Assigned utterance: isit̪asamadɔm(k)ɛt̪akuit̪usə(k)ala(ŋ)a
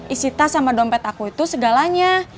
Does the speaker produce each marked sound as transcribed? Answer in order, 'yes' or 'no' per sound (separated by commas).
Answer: no, no, no